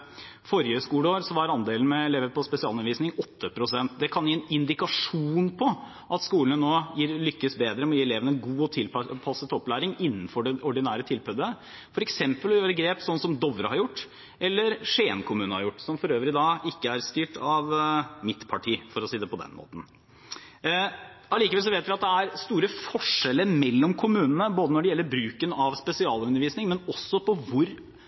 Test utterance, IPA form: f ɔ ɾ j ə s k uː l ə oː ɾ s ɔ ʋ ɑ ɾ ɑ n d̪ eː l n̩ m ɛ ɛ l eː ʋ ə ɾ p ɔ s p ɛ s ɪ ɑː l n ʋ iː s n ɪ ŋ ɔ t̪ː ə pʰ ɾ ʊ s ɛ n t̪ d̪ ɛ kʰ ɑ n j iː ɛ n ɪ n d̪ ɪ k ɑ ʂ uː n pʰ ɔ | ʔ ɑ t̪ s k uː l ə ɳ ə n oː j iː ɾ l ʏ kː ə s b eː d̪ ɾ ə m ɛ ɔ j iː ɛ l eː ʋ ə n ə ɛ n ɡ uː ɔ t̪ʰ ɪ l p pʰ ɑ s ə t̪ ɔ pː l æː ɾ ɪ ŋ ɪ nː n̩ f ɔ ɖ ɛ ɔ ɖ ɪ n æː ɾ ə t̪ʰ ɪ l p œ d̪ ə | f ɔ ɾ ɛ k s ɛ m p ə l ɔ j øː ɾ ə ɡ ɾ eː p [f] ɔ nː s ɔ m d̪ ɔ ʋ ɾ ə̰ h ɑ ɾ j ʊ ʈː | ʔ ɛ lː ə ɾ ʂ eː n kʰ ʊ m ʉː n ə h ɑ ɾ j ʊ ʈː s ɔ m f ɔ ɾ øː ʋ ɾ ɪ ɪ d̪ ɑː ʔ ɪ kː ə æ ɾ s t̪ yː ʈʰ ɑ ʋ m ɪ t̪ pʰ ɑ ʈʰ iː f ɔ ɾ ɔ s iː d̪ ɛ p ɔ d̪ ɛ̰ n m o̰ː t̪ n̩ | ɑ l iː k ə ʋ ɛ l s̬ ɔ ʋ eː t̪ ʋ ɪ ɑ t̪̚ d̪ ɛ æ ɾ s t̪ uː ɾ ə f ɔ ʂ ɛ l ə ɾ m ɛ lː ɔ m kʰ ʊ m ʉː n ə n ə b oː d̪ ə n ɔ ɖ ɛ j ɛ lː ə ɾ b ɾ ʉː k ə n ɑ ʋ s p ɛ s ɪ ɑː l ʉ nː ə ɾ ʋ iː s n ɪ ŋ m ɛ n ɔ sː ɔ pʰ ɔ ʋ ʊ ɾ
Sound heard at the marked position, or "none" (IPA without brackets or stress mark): s